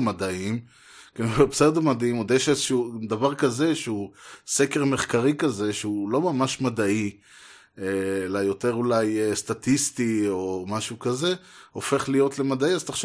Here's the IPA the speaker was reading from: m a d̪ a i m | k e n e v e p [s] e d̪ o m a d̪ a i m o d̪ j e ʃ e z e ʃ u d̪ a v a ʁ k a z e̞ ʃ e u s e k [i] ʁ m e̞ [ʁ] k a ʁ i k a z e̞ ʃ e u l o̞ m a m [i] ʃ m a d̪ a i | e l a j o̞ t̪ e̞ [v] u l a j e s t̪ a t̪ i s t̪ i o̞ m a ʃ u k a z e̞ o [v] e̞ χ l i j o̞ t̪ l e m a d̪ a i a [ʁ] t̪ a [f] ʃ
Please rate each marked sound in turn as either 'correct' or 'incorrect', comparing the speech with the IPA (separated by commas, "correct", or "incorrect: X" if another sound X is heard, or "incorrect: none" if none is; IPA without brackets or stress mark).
correct, incorrect: e, incorrect: χ, incorrect: a, incorrect: ʁ, incorrect: f, incorrect: z, incorrect: χ